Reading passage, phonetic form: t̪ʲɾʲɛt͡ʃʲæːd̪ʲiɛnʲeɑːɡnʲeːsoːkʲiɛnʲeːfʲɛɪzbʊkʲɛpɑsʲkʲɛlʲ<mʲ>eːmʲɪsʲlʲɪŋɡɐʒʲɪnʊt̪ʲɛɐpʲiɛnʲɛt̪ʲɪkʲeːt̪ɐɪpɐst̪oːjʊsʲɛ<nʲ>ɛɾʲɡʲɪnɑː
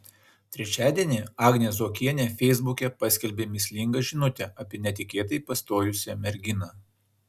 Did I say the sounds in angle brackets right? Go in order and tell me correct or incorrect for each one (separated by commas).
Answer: incorrect, incorrect